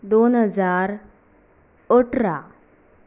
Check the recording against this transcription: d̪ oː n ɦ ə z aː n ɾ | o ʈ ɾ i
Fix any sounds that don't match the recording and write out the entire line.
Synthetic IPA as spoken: d̪ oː n ɦ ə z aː ɾ | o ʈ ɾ a